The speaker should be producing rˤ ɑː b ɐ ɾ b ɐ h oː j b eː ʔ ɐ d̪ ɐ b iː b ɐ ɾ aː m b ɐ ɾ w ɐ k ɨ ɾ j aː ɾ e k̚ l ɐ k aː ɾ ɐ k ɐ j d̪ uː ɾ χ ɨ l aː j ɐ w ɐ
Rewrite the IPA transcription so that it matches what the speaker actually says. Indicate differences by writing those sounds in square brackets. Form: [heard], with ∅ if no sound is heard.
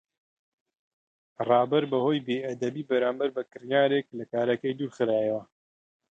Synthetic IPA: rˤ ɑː b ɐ ɾ b ɐ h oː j b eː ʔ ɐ d̪ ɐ b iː b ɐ ɾ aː m b ɐ ɾ [b] ɐ k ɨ ɾ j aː ɾ e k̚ l ɐ k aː ɾ ɐ k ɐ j d̪ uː ɾ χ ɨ [ɾ] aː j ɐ w ɐ